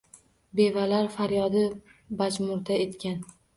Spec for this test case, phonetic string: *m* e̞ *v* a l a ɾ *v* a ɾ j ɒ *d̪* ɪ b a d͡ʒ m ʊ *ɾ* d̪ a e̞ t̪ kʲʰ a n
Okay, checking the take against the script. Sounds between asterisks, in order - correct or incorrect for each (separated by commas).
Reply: incorrect, correct, incorrect, correct, correct